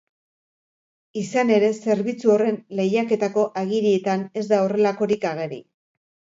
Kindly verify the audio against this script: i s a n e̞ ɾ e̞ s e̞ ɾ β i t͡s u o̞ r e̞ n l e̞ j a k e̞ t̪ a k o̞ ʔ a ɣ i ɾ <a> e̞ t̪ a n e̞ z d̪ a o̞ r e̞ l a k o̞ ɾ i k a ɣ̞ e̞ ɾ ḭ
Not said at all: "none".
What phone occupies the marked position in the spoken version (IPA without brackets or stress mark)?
i